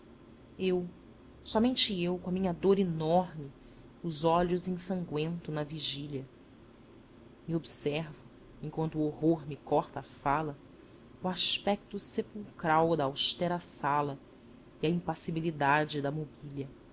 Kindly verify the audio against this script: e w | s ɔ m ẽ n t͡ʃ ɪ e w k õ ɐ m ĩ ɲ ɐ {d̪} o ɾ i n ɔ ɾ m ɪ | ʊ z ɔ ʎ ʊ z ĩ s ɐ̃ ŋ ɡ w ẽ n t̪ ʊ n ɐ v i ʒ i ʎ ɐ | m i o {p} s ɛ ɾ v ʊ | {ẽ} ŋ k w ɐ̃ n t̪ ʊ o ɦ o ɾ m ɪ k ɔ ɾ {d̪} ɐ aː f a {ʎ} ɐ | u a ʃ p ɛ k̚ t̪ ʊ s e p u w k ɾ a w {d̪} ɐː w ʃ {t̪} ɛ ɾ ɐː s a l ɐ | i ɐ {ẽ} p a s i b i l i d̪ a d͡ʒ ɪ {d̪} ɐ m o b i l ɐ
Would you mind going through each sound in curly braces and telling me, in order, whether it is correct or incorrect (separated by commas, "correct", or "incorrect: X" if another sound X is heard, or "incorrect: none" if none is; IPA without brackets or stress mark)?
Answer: correct, incorrect: b, correct, incorrect: t̪, incorrect: l, correct, correct, incorrect: ĩ, correct